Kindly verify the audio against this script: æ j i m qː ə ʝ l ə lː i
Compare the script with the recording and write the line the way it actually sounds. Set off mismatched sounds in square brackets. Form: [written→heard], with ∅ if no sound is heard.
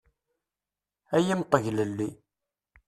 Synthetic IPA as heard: æ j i m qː ə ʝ l ə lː i